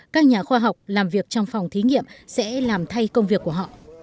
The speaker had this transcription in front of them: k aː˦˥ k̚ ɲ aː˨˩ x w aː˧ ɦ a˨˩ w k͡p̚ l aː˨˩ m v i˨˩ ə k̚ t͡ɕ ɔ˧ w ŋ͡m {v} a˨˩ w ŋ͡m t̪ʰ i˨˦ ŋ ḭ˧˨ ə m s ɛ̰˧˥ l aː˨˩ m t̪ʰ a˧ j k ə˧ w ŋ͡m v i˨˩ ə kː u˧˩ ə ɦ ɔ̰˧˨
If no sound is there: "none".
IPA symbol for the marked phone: f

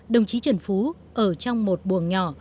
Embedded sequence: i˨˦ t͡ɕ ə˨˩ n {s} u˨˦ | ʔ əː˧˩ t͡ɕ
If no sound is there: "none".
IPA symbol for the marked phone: f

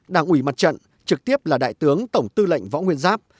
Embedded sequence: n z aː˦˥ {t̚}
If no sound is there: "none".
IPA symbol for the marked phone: p̚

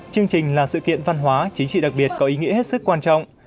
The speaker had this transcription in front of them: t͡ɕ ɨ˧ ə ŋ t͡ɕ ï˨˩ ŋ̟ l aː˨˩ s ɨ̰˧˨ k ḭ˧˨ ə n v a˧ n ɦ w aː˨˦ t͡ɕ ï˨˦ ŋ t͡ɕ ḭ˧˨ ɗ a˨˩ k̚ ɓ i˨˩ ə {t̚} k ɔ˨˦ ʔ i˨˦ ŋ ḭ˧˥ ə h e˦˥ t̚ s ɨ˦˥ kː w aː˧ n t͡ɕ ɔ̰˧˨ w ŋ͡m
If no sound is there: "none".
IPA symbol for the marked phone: t̚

